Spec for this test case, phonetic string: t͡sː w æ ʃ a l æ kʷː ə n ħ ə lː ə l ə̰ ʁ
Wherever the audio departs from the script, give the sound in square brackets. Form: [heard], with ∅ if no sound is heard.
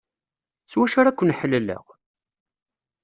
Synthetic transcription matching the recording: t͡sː w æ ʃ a [ɾ] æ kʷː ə n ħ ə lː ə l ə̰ ʁ